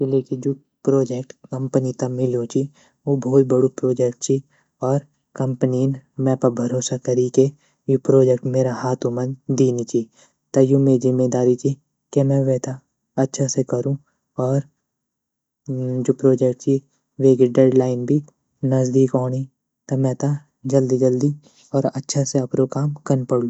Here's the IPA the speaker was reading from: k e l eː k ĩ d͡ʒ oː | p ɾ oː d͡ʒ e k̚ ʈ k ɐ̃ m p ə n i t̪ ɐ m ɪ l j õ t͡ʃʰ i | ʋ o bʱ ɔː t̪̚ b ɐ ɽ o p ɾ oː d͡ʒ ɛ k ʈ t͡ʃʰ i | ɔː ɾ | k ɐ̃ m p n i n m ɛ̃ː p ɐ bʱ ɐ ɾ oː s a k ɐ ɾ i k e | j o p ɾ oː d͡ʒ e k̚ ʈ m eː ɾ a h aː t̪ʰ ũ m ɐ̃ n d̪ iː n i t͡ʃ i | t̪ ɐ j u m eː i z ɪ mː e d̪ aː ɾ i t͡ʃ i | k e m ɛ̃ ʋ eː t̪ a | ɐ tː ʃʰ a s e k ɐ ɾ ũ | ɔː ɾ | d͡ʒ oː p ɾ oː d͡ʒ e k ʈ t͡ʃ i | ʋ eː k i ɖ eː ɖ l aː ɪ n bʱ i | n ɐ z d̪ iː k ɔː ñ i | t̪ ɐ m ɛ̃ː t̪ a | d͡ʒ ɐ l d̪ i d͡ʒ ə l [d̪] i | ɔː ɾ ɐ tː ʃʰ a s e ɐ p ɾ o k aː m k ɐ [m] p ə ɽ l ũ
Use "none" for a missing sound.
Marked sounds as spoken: d̪, n

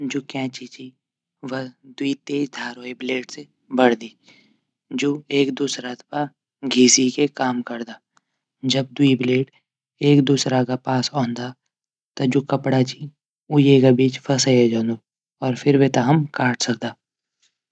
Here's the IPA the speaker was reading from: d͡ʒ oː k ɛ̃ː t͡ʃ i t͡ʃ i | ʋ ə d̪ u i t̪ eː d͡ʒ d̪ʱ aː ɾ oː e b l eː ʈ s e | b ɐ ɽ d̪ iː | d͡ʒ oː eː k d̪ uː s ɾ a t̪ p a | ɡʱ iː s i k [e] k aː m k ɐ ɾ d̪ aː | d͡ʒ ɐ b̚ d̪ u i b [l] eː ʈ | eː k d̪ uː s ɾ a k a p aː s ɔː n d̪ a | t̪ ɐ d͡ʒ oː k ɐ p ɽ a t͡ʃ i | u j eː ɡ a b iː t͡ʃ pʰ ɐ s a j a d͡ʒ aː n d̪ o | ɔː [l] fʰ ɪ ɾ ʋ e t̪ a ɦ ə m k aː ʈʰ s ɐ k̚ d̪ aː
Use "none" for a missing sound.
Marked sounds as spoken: e, l, ɾ

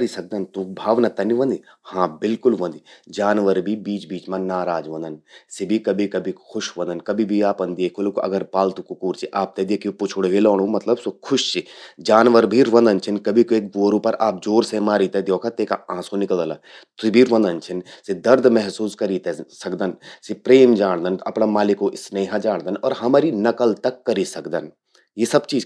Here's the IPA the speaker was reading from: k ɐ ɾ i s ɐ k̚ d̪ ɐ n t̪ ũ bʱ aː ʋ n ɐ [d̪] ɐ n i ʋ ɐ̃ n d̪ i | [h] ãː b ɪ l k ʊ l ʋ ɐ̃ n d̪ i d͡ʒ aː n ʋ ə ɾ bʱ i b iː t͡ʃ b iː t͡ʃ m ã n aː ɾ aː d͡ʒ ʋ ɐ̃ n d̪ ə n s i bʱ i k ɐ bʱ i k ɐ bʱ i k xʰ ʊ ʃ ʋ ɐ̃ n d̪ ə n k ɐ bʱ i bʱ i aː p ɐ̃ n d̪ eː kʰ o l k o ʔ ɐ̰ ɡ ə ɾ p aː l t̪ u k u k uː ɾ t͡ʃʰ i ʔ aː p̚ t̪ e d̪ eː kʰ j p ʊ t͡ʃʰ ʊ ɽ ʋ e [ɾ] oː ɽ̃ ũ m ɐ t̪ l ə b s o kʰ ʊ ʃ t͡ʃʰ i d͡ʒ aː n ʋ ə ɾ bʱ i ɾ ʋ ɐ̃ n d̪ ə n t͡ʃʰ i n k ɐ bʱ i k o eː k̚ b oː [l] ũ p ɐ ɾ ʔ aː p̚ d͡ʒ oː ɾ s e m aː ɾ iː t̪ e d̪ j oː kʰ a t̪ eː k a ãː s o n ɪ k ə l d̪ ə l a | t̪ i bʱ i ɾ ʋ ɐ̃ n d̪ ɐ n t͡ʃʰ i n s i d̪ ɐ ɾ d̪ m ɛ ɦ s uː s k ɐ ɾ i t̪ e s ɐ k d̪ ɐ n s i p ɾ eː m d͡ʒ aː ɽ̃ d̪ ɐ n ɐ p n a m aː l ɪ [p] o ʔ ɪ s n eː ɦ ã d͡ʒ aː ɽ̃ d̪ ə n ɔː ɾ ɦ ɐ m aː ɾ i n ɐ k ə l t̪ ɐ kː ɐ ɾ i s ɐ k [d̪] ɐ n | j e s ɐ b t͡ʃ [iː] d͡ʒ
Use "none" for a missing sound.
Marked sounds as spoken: t̪, h, l, ɾ, k, d̪, iː

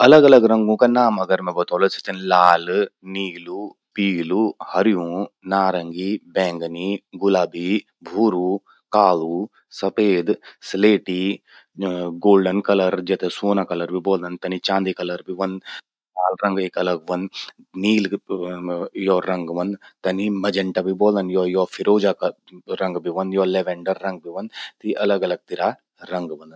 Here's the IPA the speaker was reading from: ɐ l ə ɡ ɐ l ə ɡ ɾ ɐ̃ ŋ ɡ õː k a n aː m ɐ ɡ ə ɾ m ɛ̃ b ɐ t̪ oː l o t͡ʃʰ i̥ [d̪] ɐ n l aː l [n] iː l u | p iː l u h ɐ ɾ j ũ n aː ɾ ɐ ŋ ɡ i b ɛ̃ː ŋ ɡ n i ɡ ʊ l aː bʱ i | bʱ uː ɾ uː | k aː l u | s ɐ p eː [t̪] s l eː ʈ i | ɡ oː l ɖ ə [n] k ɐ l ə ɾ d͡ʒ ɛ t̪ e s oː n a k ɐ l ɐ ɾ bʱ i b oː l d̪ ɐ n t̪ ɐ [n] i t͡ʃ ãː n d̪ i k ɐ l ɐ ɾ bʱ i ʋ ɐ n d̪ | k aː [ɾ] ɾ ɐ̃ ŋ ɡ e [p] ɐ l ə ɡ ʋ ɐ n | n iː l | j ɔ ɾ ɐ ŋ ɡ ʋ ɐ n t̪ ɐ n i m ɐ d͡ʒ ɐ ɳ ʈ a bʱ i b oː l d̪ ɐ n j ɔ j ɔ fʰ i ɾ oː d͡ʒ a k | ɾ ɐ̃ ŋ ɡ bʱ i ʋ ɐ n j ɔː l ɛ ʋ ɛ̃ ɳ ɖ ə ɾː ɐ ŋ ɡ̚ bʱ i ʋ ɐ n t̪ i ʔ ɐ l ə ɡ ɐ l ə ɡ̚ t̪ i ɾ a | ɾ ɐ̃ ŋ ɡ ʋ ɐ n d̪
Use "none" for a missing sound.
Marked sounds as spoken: t̪, n, d̪, n, n, l, k

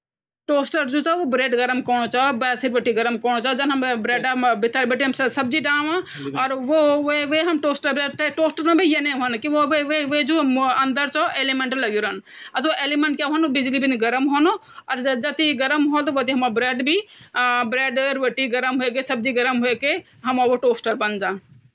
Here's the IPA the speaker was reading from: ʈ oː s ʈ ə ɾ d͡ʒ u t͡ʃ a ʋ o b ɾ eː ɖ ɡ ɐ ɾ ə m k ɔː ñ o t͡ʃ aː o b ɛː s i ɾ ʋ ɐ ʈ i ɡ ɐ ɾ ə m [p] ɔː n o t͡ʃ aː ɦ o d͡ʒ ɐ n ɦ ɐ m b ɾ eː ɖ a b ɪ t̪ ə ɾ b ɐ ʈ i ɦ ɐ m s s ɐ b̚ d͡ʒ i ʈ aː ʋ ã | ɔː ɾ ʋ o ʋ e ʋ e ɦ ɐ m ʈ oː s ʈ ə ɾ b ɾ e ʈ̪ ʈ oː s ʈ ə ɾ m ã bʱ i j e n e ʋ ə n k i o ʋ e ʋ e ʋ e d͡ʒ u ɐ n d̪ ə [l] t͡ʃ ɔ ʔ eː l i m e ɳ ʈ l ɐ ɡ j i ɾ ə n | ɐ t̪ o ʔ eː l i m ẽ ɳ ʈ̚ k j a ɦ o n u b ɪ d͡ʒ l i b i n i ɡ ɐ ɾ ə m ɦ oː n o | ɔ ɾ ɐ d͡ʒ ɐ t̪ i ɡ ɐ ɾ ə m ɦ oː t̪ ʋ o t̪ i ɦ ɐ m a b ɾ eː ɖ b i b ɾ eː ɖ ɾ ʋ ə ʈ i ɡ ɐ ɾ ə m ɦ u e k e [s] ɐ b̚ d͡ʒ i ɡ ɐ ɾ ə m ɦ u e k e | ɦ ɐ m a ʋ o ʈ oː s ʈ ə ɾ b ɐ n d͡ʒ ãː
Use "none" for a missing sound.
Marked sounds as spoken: k, ɾ, s

